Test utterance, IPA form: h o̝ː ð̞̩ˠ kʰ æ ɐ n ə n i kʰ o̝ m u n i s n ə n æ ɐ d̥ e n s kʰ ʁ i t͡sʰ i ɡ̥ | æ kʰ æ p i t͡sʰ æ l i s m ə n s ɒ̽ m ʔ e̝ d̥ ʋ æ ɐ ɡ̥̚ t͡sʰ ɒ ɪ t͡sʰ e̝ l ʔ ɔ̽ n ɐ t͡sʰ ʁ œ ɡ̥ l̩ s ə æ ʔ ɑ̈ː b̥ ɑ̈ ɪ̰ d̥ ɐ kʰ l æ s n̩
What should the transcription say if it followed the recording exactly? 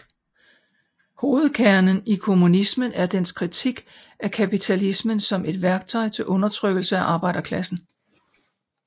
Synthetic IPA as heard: h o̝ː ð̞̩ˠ kʰ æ ɐ n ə n i kʰ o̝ m u n i s m ə n æ ɐ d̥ e n s kʰ ʁ i t͡sʰ i ɡ̥ | æ kʰ æ p i t͡sʰ æ l i s m ə n s ɒ̽ m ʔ e̝ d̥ ʋ æ ɐ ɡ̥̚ t͡sʰ ɒ ɪ t͡sʰ e̝ l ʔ ɔ̽ n ɐ t͡sʰ ʁ œ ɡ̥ l̩ s ə æ ʔ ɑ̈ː b̥ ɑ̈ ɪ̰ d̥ ɐ kʰ l æ s n̩